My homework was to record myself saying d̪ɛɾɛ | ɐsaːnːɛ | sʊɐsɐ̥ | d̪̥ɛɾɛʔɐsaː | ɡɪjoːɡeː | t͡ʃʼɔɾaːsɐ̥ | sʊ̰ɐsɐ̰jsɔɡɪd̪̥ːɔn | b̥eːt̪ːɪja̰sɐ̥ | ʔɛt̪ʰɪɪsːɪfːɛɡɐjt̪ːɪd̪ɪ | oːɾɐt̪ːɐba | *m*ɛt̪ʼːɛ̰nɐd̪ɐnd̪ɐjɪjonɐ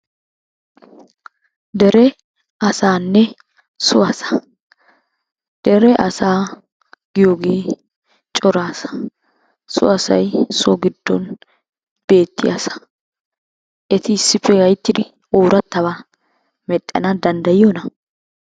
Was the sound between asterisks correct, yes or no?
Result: yes